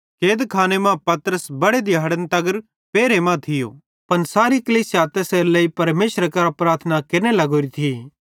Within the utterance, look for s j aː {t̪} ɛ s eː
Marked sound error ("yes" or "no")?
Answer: no